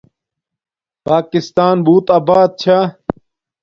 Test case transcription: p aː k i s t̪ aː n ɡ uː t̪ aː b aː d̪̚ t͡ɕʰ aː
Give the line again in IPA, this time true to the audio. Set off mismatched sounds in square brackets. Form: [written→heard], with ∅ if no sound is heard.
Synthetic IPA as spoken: p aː k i s t̪ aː n [ɡ→b] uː t̪ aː b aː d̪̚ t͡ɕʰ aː